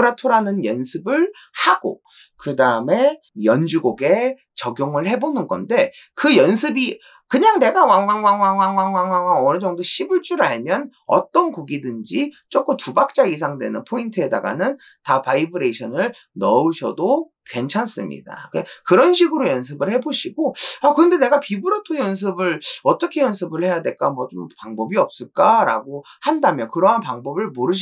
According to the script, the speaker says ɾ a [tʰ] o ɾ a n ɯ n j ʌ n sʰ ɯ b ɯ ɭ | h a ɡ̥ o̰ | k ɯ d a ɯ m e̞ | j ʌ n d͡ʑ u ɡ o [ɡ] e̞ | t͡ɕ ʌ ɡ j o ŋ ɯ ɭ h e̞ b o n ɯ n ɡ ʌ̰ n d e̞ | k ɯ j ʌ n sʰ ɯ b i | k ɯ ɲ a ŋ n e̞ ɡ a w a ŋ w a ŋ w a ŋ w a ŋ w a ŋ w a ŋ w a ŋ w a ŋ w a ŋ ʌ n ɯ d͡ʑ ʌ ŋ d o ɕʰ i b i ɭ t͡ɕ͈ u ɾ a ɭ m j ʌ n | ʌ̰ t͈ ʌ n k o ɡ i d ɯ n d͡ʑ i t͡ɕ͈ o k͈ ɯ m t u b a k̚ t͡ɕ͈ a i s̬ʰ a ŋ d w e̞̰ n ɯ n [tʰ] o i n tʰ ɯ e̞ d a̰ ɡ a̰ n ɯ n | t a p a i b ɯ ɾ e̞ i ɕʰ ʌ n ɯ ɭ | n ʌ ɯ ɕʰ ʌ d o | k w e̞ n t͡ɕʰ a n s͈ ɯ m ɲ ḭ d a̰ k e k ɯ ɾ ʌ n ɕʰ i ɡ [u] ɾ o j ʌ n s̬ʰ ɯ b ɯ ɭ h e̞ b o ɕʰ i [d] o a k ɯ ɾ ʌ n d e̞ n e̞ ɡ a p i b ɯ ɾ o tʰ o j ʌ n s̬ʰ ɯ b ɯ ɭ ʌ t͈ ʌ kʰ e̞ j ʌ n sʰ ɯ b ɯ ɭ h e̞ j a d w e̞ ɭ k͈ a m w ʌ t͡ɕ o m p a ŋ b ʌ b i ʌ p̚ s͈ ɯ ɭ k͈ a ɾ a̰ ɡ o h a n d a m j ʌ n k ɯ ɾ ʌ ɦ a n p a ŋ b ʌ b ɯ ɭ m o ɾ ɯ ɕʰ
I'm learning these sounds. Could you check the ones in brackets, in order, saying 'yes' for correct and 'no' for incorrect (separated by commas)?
yes, yes, no, no, no